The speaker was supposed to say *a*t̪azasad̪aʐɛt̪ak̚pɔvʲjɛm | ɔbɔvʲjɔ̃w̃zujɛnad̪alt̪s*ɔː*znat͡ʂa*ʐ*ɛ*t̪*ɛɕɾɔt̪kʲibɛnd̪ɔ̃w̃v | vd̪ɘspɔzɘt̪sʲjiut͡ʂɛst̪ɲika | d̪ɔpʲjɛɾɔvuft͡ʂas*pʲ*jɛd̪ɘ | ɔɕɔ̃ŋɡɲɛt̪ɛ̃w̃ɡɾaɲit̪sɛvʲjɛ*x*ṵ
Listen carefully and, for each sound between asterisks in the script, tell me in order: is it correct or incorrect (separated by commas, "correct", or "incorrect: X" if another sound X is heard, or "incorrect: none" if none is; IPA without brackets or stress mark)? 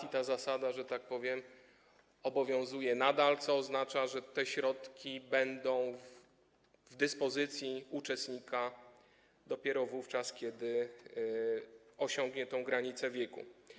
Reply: incorrect: i, correct, correct, correct, incorrect: kʲ, incorrect: k